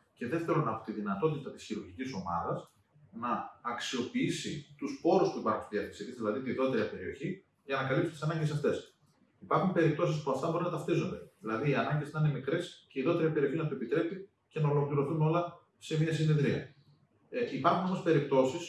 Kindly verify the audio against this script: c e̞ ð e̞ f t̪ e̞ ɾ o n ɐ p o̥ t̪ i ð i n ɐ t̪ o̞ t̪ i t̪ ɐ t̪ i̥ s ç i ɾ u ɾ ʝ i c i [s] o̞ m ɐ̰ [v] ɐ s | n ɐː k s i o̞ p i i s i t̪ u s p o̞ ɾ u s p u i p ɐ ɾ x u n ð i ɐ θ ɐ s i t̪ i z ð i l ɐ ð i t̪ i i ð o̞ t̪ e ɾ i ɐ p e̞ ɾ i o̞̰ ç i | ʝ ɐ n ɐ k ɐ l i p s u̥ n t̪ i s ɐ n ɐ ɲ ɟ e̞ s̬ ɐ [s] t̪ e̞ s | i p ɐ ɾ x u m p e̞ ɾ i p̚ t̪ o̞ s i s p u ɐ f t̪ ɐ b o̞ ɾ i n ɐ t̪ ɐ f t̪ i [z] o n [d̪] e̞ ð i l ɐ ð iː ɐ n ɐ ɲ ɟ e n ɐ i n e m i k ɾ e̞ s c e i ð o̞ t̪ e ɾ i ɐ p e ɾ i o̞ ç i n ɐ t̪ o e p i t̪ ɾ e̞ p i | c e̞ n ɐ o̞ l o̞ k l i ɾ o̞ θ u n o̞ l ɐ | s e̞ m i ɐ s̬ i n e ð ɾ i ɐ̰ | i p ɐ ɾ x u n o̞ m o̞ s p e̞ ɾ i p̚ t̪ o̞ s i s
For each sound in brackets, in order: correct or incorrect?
correct, incorrect, incorrect, correct, correct

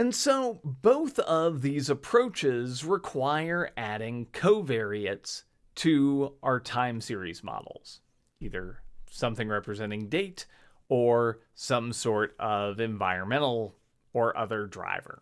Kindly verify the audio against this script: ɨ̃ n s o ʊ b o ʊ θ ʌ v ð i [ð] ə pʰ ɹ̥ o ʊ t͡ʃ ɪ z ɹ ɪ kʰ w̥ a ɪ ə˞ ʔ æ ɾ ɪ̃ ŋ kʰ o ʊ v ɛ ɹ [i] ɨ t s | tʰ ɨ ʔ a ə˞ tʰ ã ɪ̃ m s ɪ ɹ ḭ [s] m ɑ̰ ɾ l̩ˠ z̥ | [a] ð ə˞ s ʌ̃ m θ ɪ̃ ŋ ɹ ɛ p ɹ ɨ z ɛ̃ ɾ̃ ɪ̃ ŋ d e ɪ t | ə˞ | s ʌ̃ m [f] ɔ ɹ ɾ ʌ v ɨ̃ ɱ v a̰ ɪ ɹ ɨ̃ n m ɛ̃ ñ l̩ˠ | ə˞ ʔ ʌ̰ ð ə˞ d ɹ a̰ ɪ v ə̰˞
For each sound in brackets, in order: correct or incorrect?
incorrect, correct, incorrect, incorrect, incorrect

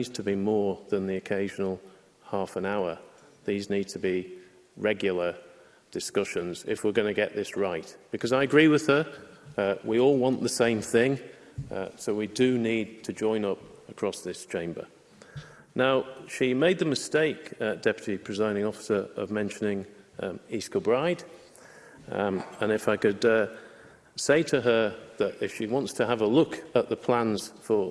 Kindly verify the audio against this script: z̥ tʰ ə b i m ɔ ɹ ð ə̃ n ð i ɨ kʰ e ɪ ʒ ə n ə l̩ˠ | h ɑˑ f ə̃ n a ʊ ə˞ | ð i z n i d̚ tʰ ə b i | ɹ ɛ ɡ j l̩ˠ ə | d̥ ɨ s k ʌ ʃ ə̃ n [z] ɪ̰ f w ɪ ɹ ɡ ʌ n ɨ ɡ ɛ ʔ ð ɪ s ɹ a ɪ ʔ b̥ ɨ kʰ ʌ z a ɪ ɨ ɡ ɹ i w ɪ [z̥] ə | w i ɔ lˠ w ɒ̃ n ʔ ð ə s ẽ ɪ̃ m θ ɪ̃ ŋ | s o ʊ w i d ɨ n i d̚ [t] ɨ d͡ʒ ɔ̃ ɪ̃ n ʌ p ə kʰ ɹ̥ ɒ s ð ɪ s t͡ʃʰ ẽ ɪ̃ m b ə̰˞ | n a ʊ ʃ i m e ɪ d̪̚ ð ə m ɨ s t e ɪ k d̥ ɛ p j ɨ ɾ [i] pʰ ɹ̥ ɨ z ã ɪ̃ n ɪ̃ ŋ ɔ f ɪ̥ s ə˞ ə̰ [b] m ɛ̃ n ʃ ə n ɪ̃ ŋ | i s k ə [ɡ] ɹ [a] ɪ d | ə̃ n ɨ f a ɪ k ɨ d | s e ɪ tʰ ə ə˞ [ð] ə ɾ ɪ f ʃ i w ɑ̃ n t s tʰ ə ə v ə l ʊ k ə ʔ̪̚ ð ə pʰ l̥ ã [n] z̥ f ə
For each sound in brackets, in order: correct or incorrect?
correct, incorrect, incorrect, correct, incorrect, incorrect, correct, correct, correct

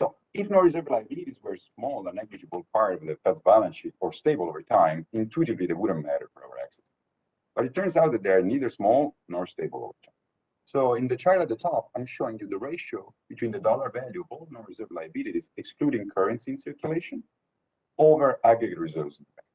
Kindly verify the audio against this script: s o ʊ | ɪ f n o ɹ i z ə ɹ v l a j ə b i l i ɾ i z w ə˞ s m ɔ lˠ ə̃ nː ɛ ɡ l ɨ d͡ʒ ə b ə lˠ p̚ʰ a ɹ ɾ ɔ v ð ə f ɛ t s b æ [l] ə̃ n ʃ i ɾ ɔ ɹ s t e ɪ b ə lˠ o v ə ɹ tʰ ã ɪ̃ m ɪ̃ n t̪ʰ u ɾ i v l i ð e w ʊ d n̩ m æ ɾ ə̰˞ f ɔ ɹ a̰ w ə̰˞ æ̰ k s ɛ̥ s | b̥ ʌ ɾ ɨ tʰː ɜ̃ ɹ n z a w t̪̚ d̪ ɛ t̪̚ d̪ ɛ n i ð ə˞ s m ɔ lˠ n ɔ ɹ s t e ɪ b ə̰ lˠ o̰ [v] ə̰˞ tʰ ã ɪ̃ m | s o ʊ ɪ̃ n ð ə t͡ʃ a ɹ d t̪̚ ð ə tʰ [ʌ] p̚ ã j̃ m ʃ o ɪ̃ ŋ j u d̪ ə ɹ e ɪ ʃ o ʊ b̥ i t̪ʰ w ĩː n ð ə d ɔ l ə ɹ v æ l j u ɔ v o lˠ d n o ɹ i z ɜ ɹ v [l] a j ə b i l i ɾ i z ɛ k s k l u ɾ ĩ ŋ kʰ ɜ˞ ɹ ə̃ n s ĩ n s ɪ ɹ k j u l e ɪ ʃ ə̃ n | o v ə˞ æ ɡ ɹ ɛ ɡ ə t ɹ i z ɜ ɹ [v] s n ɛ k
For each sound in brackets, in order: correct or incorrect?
correct, correct, incorrect, correct, correct

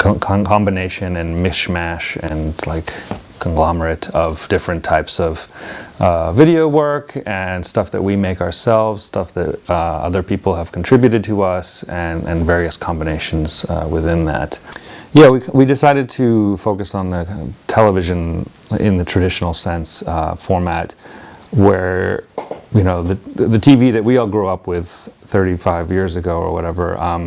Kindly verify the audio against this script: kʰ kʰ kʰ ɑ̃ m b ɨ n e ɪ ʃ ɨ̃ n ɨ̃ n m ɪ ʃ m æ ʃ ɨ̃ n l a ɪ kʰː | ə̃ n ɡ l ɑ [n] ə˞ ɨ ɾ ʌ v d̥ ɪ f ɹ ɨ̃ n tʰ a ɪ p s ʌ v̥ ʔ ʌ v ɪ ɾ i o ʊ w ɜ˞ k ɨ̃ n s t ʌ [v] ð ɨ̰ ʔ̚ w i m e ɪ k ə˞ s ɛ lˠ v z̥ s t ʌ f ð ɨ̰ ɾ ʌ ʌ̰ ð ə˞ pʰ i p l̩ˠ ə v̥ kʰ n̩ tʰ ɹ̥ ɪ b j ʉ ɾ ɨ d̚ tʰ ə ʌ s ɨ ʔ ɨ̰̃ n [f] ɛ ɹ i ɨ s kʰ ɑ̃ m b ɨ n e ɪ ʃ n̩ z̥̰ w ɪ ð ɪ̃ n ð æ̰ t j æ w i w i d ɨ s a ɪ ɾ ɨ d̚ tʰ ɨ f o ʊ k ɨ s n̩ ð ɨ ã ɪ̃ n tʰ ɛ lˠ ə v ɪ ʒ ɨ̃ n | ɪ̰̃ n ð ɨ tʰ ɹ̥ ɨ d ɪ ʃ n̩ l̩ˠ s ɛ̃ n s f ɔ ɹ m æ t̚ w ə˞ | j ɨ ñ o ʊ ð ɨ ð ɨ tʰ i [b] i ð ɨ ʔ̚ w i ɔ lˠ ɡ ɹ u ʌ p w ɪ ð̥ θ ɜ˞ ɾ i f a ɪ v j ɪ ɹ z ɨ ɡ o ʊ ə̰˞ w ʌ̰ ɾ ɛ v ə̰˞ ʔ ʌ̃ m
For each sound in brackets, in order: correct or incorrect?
incorrect, incorrect, incorrect, incorrect

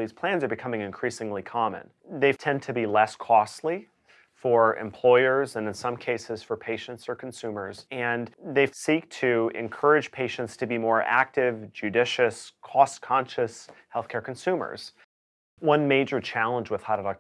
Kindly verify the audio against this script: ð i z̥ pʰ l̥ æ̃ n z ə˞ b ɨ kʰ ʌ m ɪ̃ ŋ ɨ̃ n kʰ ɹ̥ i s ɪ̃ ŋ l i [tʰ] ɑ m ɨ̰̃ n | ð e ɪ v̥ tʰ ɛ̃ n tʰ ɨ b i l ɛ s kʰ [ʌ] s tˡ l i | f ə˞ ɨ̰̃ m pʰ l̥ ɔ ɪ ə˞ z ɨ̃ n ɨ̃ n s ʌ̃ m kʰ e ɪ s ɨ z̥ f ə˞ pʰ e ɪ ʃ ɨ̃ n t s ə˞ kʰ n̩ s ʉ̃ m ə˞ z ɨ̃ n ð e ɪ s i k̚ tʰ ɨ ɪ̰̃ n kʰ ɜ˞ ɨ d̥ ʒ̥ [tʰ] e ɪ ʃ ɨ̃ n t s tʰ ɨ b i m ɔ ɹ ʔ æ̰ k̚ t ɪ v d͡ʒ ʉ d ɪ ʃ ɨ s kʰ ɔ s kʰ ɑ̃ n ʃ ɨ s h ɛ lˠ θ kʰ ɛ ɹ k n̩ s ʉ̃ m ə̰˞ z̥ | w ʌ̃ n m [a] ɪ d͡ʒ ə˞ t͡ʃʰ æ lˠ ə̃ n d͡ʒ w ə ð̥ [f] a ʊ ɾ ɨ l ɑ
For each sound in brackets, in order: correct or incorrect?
incorrect, incorrect, incorrect, incorrect, incorrect

